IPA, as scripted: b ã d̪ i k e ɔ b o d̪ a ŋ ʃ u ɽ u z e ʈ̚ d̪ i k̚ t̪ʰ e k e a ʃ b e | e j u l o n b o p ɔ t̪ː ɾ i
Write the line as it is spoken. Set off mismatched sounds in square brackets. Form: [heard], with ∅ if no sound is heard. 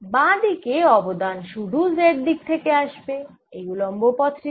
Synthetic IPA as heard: b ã d̪ i k e ɔ b o d̪ a [n] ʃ u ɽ u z e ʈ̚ d̪ i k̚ t̪ʰ e k e a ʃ b e | e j u l o [m] b o p ɔ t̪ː ɾ i